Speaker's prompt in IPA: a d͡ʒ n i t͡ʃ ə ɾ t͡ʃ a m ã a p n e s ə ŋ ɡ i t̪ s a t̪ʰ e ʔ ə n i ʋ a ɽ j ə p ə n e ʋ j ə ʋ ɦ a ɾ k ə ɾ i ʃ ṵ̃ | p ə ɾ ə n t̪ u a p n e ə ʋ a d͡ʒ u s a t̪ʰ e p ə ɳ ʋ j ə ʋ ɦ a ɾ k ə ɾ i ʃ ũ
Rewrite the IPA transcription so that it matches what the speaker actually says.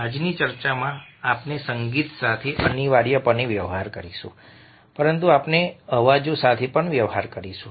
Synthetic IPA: a d͡ʒ n i t͡ʃ ə ɾ t͡ʃ a m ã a p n e s ə ŋ ɡ i t̪ s a t̪ʰ e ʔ ə n i ʋ a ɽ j ə p ə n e ʋ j ə ʋ ɦ a ɾ k ə ɾ i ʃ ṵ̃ | p ə ɾ ə n t̪ u a p n e ə ʋ a d͡ʒ o s a t̪ʰ e p ə ɳ ʋ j ə ʋ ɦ a ɾ k ə ɾ i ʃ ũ